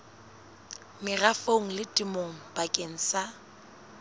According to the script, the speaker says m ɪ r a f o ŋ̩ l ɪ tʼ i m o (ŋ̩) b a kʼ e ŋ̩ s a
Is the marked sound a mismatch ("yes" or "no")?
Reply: no